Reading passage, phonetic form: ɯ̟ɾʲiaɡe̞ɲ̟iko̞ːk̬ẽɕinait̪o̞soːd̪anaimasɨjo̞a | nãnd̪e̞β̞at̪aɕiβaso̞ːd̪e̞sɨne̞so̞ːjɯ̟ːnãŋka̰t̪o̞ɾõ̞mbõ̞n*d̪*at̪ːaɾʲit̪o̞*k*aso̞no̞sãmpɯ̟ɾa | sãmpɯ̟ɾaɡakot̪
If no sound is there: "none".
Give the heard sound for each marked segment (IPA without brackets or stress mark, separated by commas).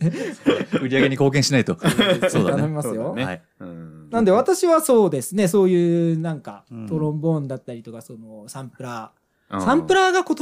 d̪, k